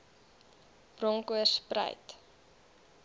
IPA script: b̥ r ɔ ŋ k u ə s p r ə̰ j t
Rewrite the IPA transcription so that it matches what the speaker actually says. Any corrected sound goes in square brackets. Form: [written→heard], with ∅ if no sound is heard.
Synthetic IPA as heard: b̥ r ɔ ŋ k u ə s p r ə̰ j t